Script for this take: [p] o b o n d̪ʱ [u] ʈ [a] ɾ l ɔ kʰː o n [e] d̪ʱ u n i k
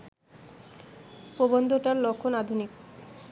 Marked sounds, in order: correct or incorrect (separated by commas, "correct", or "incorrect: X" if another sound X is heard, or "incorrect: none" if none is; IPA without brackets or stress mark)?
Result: correct, incorrect: o, correct, incorrect: a